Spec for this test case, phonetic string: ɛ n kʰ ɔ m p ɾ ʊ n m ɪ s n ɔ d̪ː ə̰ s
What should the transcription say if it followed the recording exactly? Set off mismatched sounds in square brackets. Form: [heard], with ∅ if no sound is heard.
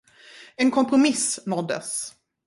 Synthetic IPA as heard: ɛ n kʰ ɔ m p ɾ ʊ [∅] m ɪ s n ɔ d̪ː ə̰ s